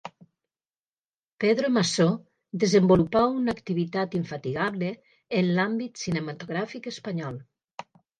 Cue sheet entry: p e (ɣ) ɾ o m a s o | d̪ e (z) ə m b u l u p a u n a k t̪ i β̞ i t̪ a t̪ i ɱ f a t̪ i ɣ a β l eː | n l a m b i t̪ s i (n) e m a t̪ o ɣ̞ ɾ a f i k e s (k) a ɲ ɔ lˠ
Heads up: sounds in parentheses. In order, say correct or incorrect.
incorrect: ð, correct, correct, incorrect: p

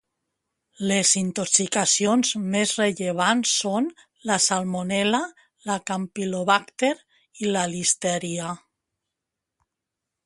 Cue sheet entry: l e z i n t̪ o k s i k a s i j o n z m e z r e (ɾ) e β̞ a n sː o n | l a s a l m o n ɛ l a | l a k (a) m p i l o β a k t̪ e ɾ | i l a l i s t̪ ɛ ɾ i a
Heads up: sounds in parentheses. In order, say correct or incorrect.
incorrect: ʎ, correct

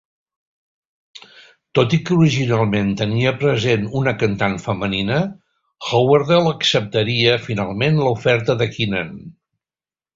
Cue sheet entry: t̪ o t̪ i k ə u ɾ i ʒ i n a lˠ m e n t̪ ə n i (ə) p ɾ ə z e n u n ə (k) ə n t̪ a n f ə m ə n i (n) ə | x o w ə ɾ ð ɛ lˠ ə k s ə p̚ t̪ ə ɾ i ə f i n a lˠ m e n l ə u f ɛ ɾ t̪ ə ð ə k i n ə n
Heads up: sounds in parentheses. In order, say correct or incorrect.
correct, correct, correct

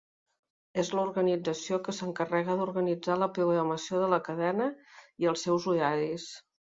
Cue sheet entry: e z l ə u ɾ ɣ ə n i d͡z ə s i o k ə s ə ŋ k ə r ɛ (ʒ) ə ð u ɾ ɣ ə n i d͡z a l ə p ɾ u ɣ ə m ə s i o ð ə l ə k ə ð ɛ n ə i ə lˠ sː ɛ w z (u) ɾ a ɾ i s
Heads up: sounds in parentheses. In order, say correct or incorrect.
incorrect: ɣ, correct

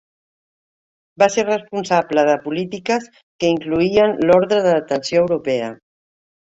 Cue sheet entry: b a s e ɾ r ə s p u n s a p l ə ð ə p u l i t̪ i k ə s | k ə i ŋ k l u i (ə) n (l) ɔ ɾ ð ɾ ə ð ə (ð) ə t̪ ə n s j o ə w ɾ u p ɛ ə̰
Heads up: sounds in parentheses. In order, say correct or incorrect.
correct, correct, correct

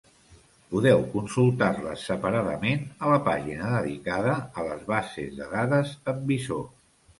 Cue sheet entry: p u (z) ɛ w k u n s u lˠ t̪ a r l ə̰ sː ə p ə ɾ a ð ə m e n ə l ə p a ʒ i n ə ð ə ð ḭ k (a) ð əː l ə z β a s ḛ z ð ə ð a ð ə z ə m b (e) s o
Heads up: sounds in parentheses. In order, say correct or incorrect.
incorrect: ð, correct, incorrect: i

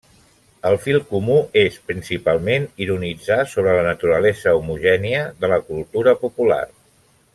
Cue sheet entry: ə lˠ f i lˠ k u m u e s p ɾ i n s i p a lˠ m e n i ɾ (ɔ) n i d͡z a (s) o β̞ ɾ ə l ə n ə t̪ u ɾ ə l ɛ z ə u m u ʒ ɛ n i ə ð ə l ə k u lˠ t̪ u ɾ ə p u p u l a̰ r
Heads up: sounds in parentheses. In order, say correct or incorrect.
incorrect: u, correct

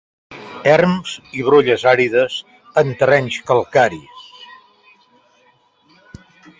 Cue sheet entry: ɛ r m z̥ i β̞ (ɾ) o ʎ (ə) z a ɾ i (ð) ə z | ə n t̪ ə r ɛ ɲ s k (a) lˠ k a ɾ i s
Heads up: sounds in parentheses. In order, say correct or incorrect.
correct, correct, correct, incorrect: ə

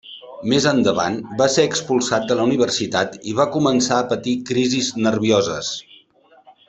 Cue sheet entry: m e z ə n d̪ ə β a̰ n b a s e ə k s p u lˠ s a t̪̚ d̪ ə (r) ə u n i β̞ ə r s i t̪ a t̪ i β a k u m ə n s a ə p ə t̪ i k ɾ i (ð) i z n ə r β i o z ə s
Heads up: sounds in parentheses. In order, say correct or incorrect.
incorrect: l, incorrect: z

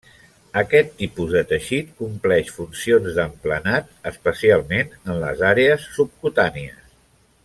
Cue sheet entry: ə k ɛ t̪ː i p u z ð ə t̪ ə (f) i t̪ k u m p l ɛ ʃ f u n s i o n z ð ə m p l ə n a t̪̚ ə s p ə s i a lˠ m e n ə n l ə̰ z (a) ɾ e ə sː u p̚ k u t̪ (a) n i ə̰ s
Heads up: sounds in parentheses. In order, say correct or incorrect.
incorrect: ʃ, correct, correct

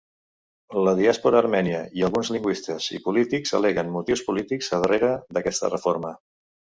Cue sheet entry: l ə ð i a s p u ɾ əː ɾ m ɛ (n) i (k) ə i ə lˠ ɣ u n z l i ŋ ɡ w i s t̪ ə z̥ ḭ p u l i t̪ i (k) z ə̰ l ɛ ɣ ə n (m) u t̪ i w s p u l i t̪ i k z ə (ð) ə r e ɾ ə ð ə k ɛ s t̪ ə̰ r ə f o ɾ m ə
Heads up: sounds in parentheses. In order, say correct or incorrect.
correct, incorrect: none, correct, correct, correct

